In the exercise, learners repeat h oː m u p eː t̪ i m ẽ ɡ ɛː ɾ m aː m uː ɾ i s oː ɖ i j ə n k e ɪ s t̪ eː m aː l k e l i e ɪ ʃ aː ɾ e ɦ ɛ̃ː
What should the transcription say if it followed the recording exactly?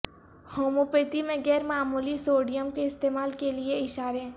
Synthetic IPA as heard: h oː m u p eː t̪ i m ẽ ɡ ɛː ɾ m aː m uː l i s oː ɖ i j ə m k e ɪ s t̪ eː m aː l k e l i e ɪ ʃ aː ɾ e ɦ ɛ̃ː